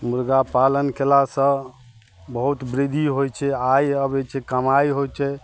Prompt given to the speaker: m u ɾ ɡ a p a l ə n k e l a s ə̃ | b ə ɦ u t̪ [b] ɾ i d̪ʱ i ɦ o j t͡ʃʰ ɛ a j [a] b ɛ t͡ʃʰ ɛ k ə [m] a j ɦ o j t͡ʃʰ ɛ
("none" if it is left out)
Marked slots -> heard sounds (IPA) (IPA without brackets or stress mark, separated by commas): b, ə, m